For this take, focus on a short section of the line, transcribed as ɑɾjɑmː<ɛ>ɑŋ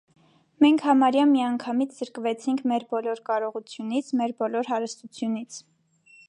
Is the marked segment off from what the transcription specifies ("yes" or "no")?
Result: yes